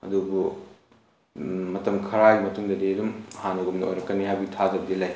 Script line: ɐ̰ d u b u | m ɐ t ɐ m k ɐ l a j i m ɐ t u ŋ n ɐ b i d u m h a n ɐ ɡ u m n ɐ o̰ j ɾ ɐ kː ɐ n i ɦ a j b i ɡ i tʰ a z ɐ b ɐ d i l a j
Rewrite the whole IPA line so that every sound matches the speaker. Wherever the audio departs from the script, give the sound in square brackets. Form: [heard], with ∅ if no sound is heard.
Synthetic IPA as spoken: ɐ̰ d u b u | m ɐ t ɐ m [kʰ] ɐ [ɾ] a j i m ɐ t u ŋ [d] ɐ [d] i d u m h a n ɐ ɡ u m n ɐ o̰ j ɾ ɐ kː ɐ n i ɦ a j b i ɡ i tʰ a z ɐ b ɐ d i l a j